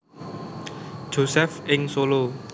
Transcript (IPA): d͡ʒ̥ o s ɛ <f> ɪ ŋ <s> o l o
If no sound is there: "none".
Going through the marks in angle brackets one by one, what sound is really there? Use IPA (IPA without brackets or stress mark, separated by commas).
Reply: f, s